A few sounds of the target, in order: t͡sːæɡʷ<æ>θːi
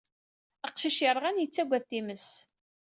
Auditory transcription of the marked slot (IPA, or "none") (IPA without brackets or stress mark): æ